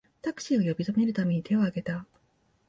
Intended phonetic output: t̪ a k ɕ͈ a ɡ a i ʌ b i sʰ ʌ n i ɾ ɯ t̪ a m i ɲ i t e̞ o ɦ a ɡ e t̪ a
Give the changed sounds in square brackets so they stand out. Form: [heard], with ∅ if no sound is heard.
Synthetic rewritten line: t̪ a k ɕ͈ [i] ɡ a [j] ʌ b i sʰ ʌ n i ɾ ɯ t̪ a m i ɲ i t e̞ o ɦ a ɡ e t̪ a

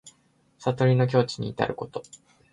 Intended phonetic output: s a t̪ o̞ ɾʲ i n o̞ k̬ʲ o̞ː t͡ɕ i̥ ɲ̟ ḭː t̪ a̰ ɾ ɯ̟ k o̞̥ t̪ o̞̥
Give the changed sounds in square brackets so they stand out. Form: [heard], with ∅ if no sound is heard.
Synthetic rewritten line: s a t̪ o̞ ɾʲ i n o̞ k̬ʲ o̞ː t͡ɕ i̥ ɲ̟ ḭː t̪ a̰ ɾ ɯ̟ k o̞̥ t̪ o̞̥

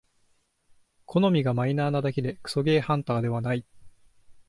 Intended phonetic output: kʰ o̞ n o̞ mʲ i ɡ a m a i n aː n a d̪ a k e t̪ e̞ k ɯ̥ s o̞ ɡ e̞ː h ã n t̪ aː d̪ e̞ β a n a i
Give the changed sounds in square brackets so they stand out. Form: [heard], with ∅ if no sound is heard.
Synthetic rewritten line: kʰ o̞ n o̞ mʲ i ɡ a m a i n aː n a d̪ a k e [d̪] e̞ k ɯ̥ s o̞ ɡ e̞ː h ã n t̪ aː d̪ e̞ β a n a i

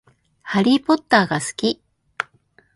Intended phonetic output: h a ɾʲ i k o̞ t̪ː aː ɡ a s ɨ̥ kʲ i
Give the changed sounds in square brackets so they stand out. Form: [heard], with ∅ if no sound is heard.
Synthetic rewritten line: h a ɾʲ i [p] o̞ t̪ː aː ɡ a s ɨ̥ kʲ i

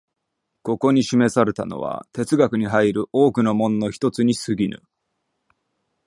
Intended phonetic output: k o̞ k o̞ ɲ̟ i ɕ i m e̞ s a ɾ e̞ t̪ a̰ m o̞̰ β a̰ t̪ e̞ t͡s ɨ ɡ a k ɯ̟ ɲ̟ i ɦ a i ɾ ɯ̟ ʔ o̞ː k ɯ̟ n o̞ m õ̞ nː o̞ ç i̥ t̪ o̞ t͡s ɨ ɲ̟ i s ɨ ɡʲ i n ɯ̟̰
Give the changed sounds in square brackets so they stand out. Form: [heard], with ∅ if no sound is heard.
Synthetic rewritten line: k o̞ k o̞ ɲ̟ i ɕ i m e̞ s a ɾ e̞ t̪ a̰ [n] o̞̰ β a̰ t̪ e̞ t͡s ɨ ɡ a k ɯ̟ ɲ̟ i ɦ a i ɾ ɯ̟ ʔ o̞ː k ɯ̟ n o̞ m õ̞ nː o̞ ç i̥ t̪ o̞ t͡s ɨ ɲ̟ i s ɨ ɡʲ i n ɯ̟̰

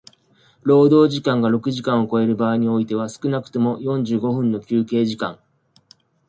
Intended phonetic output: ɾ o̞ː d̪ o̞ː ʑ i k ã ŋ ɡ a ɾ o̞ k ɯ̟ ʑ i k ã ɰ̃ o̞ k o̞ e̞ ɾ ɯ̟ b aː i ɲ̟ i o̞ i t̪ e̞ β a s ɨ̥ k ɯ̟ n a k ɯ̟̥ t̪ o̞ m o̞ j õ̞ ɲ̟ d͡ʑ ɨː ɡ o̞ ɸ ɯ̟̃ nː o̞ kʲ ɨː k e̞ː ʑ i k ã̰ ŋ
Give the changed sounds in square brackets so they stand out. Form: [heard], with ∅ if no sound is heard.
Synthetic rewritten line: ɾ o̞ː d̪ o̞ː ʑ i k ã ŋ ɡ a ɾ o̞ k ɯ̟ ʑ i k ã ɰ̃ o̞ k o̞ e̞ ɾ ɯ̟ b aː i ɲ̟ i o̞ i t̪ e̞ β a s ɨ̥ k ɯ̟ n a k ɯ̟̥ t̪ o̞ m o̞ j õ̞ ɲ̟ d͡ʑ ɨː ɡ o̞ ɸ ɯ̟̃ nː o̞ kʲ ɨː k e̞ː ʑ i k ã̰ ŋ

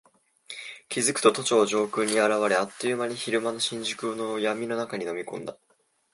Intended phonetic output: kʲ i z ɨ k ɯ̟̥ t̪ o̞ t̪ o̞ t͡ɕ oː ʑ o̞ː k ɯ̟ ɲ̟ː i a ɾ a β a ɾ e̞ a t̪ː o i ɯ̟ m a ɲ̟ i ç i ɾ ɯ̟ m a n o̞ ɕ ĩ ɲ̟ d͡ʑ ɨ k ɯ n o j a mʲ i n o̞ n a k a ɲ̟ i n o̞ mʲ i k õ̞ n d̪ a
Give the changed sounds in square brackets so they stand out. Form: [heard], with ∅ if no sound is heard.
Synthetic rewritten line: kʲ i z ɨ k ɯ̟̥ t̪ o̞ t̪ o̞ t͡ɕ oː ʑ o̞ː k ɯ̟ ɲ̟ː i a ɾ a β a ɾ e̞ a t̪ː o [j] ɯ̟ m a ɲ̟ i ç i ɾ ɯ̟ m a n o̞ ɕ ĩ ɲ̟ d͡ʑ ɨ k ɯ n o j a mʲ i n o̞ n a k a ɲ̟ i n o̞ mʲ i k õ̞ n d̪ a

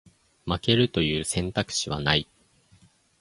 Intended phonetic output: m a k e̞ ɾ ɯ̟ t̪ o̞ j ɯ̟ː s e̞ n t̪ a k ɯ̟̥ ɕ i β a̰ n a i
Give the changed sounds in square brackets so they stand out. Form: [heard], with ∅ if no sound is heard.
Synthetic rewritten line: m a k e̞ ɾ ɯ̟ t̪ o̞ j ɯ̟ː s [ẽ̞] n t̪ a k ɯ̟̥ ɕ i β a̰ n a i

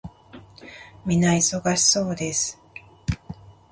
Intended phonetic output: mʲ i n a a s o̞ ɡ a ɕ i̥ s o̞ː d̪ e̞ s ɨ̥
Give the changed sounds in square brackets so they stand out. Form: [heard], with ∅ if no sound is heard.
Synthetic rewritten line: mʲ i n a [i] s o̞ ɡ a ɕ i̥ s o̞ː d̪ e̞ s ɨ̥

